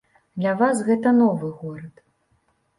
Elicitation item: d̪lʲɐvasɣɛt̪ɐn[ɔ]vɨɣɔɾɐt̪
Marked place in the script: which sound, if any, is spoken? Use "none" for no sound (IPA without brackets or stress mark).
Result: ɔ